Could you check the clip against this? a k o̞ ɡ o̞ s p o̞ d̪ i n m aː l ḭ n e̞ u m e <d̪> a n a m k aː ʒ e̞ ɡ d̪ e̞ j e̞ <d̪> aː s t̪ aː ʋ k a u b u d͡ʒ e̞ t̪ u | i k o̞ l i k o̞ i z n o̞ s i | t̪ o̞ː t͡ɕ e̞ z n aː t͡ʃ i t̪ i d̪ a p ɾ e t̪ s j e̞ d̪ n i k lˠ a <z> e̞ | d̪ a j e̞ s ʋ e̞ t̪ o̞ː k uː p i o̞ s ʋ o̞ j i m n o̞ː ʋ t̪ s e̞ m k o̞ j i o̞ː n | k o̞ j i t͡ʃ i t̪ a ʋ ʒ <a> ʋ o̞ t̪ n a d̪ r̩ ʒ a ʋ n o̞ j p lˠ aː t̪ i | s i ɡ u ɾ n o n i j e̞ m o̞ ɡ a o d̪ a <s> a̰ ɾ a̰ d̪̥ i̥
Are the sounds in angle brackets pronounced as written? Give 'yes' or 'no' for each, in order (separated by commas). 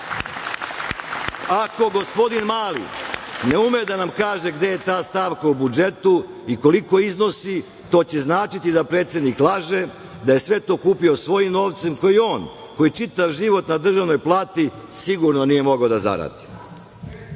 yes, no, no, no, no